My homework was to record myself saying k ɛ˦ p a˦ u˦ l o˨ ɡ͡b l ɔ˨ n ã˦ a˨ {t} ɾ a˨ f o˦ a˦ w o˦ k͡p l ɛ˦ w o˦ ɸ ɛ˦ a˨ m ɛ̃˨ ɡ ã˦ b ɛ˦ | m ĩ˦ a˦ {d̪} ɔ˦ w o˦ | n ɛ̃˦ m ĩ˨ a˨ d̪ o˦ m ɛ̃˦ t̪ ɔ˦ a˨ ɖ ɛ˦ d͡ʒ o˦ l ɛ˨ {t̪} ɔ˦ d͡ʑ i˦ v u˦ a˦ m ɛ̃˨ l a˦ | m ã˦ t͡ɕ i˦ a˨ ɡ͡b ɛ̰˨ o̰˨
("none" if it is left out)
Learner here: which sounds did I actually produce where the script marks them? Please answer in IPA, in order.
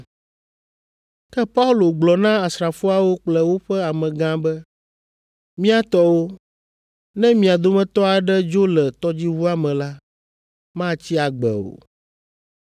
s, t̪, t̪

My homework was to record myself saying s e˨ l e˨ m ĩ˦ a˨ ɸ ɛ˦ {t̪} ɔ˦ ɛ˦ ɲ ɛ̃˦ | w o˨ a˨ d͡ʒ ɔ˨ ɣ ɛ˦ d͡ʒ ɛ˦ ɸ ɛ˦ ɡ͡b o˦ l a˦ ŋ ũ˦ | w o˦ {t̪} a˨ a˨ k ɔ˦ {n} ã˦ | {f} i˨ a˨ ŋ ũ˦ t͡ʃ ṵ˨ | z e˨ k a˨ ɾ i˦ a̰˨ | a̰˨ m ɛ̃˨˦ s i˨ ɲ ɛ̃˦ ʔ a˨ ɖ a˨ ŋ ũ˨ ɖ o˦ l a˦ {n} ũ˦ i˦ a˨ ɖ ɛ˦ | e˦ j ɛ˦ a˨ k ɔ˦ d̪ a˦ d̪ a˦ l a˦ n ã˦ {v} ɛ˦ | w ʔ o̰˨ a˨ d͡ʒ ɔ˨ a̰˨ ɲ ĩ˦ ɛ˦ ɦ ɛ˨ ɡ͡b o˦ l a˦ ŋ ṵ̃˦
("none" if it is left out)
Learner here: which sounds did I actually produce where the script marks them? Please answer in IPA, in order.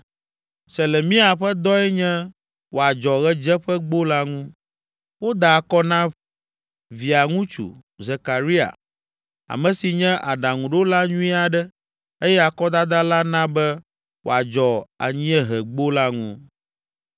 d̪, d̪, n, v, ɲ, b

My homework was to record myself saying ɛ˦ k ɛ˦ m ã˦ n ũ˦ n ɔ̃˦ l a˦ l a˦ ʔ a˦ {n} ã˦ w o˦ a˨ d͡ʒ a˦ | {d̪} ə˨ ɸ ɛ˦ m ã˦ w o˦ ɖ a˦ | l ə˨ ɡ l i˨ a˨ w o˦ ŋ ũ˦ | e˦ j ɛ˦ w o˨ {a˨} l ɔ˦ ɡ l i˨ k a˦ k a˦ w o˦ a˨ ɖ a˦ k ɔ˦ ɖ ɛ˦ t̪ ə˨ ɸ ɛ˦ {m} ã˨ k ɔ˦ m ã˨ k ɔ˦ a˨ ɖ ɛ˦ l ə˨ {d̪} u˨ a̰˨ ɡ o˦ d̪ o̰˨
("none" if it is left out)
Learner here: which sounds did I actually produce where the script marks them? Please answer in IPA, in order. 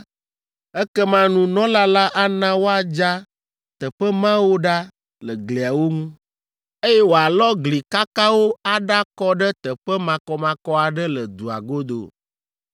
n, t̪, a˨, m, d̪

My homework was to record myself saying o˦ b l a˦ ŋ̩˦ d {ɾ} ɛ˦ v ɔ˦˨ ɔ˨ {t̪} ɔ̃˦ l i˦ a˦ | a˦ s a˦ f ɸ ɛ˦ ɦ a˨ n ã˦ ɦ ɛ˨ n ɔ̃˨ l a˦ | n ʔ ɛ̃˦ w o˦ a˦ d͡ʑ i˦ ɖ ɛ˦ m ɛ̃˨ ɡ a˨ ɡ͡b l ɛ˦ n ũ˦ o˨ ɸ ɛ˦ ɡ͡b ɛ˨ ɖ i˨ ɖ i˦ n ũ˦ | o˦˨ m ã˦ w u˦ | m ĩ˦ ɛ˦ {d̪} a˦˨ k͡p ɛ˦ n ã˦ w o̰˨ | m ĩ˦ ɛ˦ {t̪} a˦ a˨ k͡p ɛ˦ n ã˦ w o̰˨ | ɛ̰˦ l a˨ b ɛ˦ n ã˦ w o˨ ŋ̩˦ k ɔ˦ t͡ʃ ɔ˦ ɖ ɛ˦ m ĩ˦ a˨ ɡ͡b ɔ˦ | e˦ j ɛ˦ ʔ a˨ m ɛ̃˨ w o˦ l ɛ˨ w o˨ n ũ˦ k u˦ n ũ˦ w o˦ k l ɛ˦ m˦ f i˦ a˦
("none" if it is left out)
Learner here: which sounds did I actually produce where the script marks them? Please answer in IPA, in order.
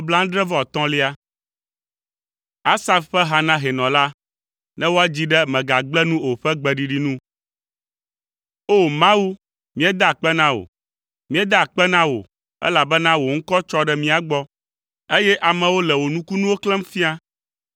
ɾ, t̪, d̪, d̪

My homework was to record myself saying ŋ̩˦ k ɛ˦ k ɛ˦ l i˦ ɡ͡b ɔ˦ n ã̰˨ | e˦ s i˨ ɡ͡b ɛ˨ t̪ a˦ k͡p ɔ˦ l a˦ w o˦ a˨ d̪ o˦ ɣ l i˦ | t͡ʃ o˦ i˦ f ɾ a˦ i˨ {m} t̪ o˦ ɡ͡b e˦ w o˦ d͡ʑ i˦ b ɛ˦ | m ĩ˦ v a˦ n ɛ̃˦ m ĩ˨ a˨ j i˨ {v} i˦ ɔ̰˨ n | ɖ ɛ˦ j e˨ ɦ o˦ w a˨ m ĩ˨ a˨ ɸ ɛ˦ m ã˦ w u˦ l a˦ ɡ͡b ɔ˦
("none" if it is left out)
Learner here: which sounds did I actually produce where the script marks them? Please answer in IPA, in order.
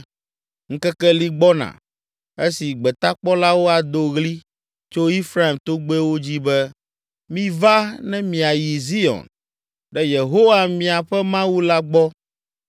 m, z

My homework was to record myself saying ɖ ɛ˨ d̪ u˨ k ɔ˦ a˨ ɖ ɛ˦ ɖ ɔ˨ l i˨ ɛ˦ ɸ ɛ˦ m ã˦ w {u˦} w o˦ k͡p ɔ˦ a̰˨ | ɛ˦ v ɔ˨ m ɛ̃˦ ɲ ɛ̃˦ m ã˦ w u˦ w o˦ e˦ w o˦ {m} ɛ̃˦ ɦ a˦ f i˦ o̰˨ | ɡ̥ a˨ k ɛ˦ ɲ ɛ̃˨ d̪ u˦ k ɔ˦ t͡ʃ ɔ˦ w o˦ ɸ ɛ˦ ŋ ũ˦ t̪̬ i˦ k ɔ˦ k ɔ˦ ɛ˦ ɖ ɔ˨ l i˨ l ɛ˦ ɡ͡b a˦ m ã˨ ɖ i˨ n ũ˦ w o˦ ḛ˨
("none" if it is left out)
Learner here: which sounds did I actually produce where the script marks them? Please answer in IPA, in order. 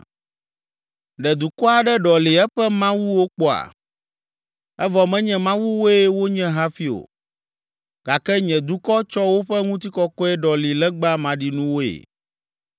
u˦, ɲ

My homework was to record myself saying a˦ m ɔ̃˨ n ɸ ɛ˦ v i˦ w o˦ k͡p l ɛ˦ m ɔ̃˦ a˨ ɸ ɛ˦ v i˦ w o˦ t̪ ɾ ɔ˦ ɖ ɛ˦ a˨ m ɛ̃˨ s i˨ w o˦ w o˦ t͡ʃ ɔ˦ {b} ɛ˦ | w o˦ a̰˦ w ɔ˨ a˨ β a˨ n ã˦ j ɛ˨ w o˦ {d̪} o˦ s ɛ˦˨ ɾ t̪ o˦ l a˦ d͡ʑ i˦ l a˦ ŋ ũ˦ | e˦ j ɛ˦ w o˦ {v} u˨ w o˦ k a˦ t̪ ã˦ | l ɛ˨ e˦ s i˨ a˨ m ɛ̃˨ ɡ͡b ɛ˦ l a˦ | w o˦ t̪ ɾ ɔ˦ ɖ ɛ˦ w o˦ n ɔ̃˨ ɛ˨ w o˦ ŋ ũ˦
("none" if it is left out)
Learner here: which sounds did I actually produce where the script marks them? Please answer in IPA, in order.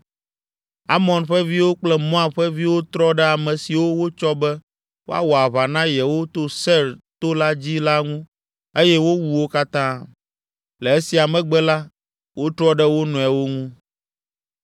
b, t̪, w

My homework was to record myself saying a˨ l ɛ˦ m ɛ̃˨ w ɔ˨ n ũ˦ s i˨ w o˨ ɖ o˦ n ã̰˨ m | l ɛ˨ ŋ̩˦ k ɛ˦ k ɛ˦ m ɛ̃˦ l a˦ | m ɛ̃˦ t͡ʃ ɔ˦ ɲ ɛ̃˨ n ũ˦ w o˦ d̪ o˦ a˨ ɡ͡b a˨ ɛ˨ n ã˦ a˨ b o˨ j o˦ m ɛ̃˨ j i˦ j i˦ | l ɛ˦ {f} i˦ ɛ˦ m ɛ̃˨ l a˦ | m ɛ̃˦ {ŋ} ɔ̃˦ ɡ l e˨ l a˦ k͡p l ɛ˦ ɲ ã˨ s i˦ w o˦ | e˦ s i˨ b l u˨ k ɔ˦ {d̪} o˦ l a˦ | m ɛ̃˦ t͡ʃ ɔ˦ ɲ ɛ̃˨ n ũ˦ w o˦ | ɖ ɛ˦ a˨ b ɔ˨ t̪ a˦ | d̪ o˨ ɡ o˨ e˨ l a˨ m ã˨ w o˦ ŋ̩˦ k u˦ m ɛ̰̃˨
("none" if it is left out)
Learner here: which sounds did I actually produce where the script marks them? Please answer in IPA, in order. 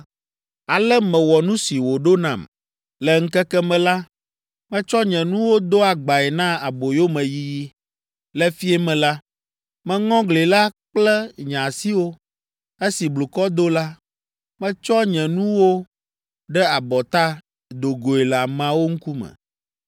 f, ŋ, d̪

